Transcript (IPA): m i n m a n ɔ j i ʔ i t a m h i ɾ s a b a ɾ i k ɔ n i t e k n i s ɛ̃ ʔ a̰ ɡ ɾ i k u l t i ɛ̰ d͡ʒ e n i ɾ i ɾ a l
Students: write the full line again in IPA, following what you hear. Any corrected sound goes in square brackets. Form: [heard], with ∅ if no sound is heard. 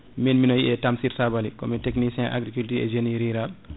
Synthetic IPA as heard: m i n m [i] n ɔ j i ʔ [ɛ] t a m [s] i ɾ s a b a [l] i k ɔ [m] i t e k n i s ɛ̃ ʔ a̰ ɡ ɾ i k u l t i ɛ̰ d͡ʒ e n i ɾ i ɾ a l